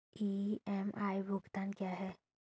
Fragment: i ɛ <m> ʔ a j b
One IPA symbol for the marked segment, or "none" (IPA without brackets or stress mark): m